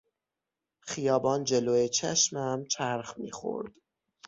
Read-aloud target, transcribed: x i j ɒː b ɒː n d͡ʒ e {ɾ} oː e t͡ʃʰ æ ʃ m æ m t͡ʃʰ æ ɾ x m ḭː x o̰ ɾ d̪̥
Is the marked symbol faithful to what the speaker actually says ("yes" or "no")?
no